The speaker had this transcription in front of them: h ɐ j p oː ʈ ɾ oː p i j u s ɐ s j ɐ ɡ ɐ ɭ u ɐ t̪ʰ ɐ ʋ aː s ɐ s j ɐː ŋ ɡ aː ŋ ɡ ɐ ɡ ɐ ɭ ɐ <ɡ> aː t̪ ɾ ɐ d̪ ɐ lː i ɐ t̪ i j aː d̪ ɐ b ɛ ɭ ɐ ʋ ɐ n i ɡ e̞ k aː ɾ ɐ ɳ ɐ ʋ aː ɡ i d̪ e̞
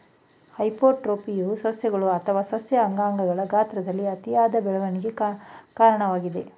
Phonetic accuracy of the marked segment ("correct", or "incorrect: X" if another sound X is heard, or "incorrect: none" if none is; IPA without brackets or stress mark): correct